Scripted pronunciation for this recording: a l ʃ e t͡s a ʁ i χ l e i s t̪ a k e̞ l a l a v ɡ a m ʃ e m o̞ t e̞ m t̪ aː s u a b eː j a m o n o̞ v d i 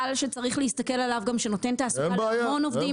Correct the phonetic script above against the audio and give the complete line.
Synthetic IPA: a l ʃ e t͡s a ʁ i χ l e i s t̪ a k e̞ l a l a v ɡ a m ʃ e n o̞ t e̞ n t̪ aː s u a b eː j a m o n o̞ v d i

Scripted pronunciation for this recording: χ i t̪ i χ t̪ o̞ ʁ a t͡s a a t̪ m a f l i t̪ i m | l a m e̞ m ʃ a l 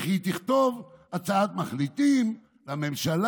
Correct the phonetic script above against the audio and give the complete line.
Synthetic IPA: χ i t̪ i χ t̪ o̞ v a t͡s a a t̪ m a χ l i t̪ i m | l a m e̞ m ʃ a l

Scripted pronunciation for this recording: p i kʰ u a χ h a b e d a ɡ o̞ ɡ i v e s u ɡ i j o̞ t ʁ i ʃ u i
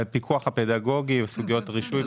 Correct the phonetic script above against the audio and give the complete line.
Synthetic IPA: p i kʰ u a χ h a p e d a ɡ o̞ ɡ i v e s u ɡ i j o̞ t ʁ i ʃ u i

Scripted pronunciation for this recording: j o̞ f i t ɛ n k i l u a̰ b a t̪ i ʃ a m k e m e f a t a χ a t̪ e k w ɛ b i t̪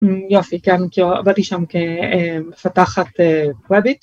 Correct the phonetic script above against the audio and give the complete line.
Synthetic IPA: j o̞ f i k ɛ n k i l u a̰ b a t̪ i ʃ a m k e m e f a t a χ a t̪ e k w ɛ b i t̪

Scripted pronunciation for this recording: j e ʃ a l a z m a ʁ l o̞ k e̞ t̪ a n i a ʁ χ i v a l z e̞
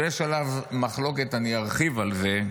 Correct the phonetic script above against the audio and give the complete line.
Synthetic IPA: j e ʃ a l a v m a χ l o̞ k e̞ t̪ a n i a ʁ χ i v a l z e̞

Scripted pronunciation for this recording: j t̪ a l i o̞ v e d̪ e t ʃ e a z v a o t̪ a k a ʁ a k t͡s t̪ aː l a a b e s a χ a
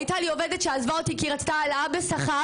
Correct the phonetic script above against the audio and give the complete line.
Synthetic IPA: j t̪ a l i o̞ v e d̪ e t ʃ e a z v a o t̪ i k i ʁ a t͡s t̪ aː l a a b e s a χ a

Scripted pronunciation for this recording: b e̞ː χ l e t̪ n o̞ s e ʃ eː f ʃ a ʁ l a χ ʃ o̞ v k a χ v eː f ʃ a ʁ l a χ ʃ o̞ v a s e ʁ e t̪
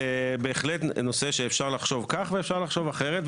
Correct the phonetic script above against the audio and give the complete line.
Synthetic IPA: b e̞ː χ l e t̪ n o̞ s e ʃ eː f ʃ a ʁ l a χ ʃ o̞ v k a χ v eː f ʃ a ʁ l a χ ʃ o̞ v a χ e ʁ e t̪

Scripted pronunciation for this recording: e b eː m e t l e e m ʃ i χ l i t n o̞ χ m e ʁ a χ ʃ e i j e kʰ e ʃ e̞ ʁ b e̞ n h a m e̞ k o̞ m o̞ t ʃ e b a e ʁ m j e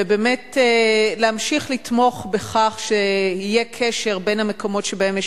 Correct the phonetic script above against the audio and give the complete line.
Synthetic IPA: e b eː m e t l e a m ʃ i χ l i t m o̞ χ b e χ a χ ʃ e i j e kʰ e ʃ e̞ ʁ b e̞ n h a m e̞ k o̞ m o̞ t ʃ e b a e m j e

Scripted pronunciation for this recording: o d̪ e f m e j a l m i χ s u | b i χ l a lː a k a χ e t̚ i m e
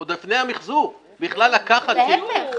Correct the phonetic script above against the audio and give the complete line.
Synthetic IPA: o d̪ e f n e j a m i χ z u | b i χ l a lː a k a χ a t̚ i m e

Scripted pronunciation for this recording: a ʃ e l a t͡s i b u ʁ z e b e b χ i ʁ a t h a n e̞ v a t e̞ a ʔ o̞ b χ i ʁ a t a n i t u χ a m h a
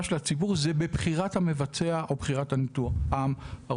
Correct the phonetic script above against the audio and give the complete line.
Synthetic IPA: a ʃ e l a t͡s i b u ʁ z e b e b χ i ʁ a t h a m e̞ v a t͡s e̞ a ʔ o̞ b χ i ʁ a t a n i t u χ a m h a

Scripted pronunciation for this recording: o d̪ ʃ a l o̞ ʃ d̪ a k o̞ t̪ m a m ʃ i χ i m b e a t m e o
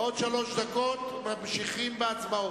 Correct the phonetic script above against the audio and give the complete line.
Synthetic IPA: o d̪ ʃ a l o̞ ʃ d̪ a k o̞ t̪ m a m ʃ i χ i m b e a t͡s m a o

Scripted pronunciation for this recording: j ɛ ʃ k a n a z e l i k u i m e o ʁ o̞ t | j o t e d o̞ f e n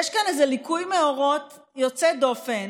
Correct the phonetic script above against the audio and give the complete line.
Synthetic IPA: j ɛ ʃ k a n e z e l i k u j m e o ʁ o̞ t | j o t͡s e d o̞ f e n

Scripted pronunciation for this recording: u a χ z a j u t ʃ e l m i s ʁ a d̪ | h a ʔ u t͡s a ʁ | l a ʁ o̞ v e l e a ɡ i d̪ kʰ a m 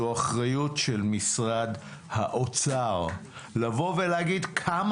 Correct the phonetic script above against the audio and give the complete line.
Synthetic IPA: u a χ ʁ a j u t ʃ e l m i s ʁ a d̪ | h a ʔ o t͡s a ʁ | l a v o̞ v e l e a ɡ i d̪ kʰ a m

